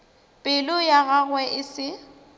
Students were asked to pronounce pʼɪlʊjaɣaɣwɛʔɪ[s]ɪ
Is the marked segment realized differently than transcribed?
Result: no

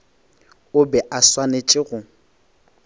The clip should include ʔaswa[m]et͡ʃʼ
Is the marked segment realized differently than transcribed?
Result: yes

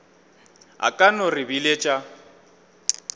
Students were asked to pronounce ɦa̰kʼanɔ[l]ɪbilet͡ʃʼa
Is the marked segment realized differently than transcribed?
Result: yes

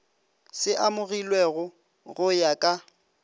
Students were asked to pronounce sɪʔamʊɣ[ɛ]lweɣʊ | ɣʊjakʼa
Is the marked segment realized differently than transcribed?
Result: yes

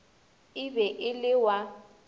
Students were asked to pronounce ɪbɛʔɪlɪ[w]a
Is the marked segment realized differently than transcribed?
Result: no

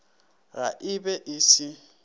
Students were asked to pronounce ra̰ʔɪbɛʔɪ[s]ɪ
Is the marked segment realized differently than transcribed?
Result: no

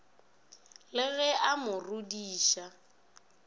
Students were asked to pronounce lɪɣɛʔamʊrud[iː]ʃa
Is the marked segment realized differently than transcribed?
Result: no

